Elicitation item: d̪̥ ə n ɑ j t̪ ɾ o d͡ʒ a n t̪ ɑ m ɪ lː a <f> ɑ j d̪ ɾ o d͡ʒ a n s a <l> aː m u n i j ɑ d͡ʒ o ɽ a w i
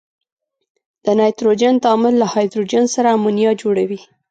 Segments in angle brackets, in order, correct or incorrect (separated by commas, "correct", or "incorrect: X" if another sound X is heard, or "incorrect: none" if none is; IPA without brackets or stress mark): incorrect: h, incorrect: ɾ